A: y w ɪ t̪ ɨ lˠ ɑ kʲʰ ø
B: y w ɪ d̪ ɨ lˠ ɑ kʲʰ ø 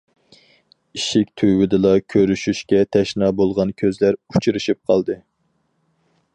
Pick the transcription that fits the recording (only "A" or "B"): B